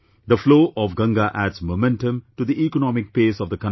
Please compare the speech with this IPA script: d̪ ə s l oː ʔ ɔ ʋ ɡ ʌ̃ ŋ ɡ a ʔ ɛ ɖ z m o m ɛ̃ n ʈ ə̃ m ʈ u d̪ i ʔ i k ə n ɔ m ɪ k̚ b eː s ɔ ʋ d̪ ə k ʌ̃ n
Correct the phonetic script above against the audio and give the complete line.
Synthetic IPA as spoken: d̪ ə f l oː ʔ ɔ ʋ ɡ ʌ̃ ŋ ɡ a ʔ æ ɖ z m o m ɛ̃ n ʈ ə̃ m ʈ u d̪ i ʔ i k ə n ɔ m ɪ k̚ p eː s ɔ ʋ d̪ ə k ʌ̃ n